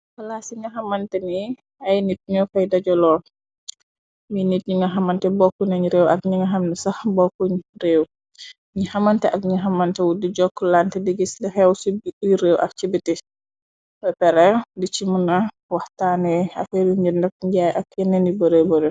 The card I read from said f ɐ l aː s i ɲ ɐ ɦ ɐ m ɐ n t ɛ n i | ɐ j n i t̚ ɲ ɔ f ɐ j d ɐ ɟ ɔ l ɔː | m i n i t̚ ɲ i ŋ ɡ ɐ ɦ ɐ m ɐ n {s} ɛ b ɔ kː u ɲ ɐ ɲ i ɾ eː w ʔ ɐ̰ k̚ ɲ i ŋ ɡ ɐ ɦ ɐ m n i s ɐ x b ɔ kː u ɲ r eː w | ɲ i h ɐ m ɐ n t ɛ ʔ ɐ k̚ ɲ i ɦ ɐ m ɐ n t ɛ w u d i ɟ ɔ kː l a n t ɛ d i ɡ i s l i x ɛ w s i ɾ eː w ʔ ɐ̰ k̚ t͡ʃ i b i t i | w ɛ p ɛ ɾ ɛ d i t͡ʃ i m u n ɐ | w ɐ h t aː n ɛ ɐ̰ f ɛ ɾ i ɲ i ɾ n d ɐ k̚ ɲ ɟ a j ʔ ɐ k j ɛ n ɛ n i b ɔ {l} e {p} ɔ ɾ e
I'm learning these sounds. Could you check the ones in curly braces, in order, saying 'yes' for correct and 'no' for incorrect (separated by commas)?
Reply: no, no, no